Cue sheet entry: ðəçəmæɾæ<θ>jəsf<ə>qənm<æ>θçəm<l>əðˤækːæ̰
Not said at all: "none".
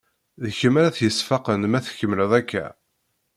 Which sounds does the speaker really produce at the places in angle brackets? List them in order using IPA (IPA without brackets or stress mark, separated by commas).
θ, ɑ, æ, l